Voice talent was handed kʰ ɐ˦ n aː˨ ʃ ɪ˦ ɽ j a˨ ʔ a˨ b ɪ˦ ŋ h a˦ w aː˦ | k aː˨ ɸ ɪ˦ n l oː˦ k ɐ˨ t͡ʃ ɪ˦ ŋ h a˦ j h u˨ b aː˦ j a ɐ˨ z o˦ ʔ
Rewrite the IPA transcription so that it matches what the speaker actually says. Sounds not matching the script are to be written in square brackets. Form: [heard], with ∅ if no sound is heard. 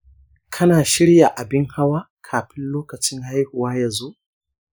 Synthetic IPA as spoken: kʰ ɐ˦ n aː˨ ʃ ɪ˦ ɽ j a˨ ʔ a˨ b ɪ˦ ŋ h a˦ w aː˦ | [kʰ] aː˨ ɸ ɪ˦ n l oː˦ k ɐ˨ t͡ʃ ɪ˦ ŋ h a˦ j h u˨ [w] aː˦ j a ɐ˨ z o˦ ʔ